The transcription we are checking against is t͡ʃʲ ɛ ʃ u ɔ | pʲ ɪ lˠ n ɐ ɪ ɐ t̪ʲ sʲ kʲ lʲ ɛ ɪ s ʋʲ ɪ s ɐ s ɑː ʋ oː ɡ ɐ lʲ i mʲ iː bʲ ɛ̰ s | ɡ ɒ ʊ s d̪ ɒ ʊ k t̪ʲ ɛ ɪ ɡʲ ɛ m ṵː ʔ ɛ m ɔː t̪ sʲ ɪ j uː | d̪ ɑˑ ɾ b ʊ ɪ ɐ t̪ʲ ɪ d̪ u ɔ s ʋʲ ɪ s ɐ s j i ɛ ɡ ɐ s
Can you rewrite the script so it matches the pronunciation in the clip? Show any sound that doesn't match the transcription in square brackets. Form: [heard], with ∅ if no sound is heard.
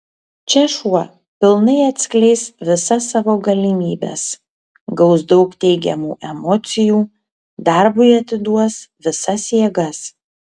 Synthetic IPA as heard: t͡ʃʲ ɛ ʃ u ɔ | pʲ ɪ lˠ n ɐ ɪ ɐ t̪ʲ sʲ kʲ lʲ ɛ ɪ s ʋʲ ɪ s ɐ s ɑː ʋ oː ɡ ɐ lʲ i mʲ iː bʲ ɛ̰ s | ɡ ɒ ʊ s d̪ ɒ ʊ k t̪ʲ ɛ ɪ ɡʲ ɛ m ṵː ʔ ɛ m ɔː t̪ sʲ ɪ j uː | d̪ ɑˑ ɾ b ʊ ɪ ɐ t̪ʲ ɪ d̪ u ɔ s ʋʲ ɪ s ɐ s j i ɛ ɡ ɐ s

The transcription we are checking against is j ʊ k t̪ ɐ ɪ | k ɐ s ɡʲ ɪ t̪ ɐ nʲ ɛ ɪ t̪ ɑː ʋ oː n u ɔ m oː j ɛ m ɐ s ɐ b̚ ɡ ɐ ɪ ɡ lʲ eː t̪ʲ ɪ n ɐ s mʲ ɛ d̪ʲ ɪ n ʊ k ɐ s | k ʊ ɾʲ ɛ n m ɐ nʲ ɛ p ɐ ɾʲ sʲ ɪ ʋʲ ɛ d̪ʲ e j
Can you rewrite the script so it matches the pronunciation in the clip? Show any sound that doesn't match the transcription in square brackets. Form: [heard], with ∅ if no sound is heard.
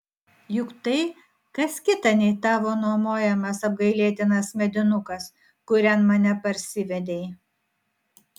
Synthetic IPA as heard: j ʊ k t̪ ɐ ɪ | k ɐ s [kʲ] ɪ t̪ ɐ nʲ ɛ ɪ t̪ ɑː ʋ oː n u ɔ m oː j ɛ m ɐ s ɐ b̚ ɡ ɐ ɪ [∅] lʲ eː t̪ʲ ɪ n ɐ s mʲ ɛ d̪ʲ ɪ n ʊ k ɐ s | k ʊ ɾʲ ɛ n m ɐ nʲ ɛ p ɐ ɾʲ sʲ ɪ ʋʲ ɛ d̪ʲ e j

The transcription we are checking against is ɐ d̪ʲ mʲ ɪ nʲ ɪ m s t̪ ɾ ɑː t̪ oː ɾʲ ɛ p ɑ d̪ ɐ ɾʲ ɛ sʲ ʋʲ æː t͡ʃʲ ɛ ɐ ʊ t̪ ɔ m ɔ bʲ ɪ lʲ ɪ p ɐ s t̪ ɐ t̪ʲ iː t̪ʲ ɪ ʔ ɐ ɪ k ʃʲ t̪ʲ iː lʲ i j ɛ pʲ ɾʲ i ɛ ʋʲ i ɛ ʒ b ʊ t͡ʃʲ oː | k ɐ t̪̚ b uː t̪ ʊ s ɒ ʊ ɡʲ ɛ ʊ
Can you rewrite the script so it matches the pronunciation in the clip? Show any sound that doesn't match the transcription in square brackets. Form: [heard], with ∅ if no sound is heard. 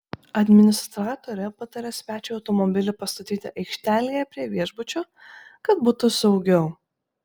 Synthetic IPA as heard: ɐ d̪ʲ mʲ ɪ nʲ ɪ [∅] s t̪ ɾ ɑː t̪ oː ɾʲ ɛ p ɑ [t̪] ɐ ɾʲ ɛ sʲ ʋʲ æː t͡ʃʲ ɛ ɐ ʊ t̪ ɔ m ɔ bʲ ɪ lʲ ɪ p ɐ s t̪ ɐ t̪ʲ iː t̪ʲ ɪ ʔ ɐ ɪ k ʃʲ t̪ʲ [æː] lʲ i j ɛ pʲ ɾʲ i ɛ ʋʲ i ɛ ʒ b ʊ t͡ʃʲ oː | k ɐ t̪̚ b uː t̪ ʊ s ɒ ʊ ɡʲ ɛ ʊ

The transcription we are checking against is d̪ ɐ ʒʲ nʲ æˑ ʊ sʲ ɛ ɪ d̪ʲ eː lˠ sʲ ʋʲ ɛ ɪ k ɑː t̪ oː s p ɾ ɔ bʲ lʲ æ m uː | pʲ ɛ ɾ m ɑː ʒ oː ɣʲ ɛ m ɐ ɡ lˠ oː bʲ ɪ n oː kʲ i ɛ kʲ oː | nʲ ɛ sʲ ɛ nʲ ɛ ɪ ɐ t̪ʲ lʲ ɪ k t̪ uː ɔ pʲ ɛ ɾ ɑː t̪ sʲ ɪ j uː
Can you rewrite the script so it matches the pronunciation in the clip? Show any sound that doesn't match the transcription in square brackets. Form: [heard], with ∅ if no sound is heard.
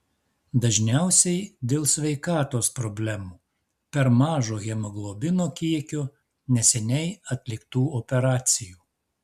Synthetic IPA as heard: d̪ ɐ ʒʲ nʲ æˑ ʊ sʲ ɛ ɪ d̪ʲ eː lˠ sʲ ʋʲ ɛ ɪ k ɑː t̪ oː s p ɾ ɔ bʲ lʲ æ m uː | pʲ ɛ ɾ m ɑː ʒ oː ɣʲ ɛ m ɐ ɡ lˠ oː bʲ ɪ n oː kʲ i ɛ kʲ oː | nʲ ɛ sʲ ɛ nʲ ɛ ɪ ɐ t̪ʲ lʲ ɪ k t̪ uː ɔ pʲ ɛ ɾ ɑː t̪ sʲ ɪ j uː

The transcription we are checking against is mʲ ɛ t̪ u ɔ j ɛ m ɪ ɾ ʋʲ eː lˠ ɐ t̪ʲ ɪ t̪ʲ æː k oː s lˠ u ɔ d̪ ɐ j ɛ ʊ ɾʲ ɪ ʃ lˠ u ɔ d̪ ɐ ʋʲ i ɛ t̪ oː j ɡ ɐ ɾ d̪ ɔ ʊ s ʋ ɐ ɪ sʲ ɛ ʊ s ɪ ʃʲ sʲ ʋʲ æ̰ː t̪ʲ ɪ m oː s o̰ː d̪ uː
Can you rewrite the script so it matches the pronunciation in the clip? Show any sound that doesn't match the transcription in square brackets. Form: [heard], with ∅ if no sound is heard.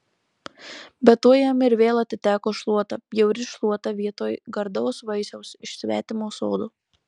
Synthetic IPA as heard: [bʲ] ɛ t̪ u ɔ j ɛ m ɪ ɾ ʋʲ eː lˠ ɐ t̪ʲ ɪ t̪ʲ æː k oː [ʃ] lˠ u ɔ [t̪] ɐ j ɛ ʊ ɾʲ ɪ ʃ lˠ u ɔ [t̪] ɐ ʋʲ i ɛ t̪ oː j ɡ ɐ ɾ d̪ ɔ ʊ s ʋ ɐ ɪ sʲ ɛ ʊ s ɪ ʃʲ sʲ ʋʲ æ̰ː t̪ʲ ɪ m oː s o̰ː d̪ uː

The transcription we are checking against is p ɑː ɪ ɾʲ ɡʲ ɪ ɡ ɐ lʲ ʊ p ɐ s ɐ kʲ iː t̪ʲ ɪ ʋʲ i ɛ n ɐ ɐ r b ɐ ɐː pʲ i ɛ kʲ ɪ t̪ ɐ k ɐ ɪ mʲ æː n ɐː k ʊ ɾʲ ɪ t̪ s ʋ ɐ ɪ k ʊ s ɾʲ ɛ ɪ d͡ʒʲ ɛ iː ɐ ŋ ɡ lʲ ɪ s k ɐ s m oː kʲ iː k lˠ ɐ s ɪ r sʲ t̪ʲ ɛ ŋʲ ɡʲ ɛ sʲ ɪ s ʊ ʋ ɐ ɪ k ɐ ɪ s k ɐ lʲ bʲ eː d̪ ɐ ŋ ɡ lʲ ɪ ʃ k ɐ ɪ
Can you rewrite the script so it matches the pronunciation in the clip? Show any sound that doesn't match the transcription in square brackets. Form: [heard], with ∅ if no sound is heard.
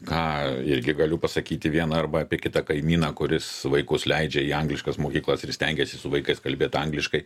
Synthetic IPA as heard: [k] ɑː ɪ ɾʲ ɡʲ ɪ ɡ ɐ lʲ ʊ p ɐ s ɐ kʲ iː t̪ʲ ɪ ʋʲ i ɛ n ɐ ɐ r b ɐ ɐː pʲ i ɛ kʲ ɪ t̪ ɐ k ɐ ɪ mʲ [iː] n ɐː k ʊ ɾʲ ɪ [∅] s ʋ ɐ ɪ k ʊ s [lʲ] ɛ ɪ d͡ʒʲ ɛ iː ɐ ŋ ɡ lʲ ɪ [ʃ] k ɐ s m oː kʲ iː k lˠ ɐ s ɪ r sʲ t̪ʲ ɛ ŋʲ ɡʲ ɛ sʲ ɪ s ʊ ʋ ɐ ɪ k ɐ ɪ s k ɐ lʲ bʲ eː [t̪] ɐ ŋ ɡ lʲ ɪ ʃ k ɐ ɪ

